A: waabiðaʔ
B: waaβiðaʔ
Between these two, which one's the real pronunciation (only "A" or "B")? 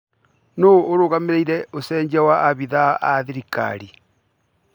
B